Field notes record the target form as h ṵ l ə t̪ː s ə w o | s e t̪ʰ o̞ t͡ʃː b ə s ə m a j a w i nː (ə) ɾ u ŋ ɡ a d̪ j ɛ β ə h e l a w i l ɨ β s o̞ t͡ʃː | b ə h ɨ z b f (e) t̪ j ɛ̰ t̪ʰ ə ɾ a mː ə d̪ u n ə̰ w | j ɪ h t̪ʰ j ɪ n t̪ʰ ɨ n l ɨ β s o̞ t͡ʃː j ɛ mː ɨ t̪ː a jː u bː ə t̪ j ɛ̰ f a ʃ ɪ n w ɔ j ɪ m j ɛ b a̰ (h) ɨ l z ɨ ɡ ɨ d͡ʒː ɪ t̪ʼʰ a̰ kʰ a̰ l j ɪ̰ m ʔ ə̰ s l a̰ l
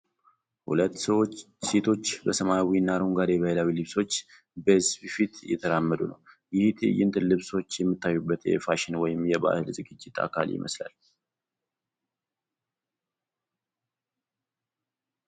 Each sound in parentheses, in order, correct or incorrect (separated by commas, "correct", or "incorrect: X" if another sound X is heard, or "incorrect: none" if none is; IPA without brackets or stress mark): incorrect: a, incorrect: i, correct